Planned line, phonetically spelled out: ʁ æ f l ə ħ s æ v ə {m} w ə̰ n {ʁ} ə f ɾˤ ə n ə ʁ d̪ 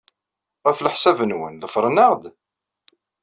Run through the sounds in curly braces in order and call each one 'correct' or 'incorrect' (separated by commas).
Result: incorrect, incorrect